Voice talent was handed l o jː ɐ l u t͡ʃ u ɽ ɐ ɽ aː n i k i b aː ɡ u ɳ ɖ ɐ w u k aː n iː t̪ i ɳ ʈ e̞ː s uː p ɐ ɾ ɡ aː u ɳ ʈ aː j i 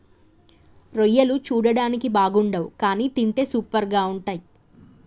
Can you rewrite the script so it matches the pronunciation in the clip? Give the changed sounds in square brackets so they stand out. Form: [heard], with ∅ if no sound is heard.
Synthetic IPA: [ɾ] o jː ɐ l u t͡ʃ [uː] ɽ ɐ ɽ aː n i k i b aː ɡ u ɳ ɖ ɐ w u k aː n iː t̪ i ɳ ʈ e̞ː s uː p ɐ ɾ ɡ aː u ɳ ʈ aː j i